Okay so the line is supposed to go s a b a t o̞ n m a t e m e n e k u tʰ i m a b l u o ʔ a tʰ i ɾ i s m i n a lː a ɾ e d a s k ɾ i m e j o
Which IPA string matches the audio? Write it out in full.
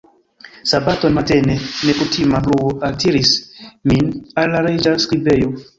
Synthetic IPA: s a b a t o̞ n m a t e n e n e k u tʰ i m a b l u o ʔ a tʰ i ɾ i s m i n a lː a ɾ e d͡ʒ a s k ɾ i b e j o

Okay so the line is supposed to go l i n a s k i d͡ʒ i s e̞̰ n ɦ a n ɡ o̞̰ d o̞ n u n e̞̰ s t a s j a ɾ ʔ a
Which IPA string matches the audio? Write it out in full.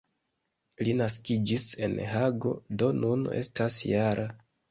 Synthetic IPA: l i n a s k i d͡ʒ i s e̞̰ n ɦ a ɡ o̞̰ d o̞ n u n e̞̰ s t a s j a ɾ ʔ a

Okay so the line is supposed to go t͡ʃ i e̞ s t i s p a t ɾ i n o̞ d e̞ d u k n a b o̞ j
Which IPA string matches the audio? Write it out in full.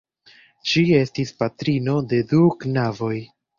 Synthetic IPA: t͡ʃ i e̞ s t i s p a t ɾ i n o̞ d e̞ d u k n a v o̞ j

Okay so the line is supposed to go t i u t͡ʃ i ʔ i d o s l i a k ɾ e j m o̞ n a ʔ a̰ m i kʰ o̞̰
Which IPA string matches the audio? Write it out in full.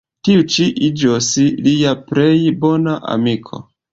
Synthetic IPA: t i u t͡ʃ i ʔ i d͡ʒ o s l i a p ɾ e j b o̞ n a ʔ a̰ m i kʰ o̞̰

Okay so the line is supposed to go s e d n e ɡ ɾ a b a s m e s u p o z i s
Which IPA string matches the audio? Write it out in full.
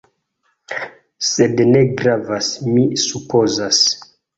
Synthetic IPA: s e d n e ɡ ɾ a v a s m i s u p o z a s

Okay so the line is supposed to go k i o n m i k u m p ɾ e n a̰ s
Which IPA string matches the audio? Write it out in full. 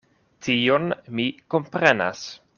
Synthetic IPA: t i o n m i k o m p ɾ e n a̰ s

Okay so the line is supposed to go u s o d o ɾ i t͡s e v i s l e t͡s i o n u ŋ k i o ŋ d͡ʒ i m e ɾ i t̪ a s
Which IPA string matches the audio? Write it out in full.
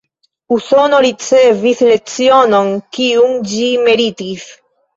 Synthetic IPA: u s o n o ɾ i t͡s e v i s l e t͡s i o n o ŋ k i u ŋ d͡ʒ i m e ɾ i t̪ i s

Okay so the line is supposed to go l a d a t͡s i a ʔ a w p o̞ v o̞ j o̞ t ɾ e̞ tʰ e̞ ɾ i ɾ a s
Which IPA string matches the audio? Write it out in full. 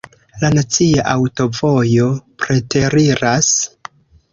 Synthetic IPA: l a n a t͡s i a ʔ a w t o̞ v o̞ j o̞ p ɾ e̞ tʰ e̞ ɾ i ɾ a s

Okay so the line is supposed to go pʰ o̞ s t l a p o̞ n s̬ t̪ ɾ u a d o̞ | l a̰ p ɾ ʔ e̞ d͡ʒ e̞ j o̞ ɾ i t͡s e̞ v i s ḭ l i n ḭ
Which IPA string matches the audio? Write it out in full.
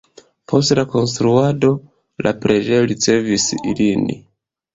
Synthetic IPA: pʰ o̞ s t l a k o̞ n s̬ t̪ ɾ u a d o̞ | l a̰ p ɾ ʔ e̞ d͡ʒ e̞ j o̞ ɾ i t͡s e̞ v i s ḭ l i n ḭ

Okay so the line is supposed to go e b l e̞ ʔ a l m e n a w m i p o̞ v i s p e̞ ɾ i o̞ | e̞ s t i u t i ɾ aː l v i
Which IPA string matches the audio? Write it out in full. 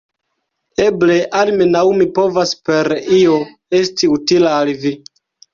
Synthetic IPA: e b l e̞ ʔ a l m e n a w m i p o̞ v a s p e̞ ɾ i o̞ | e̞ s t i u t i l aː l v i

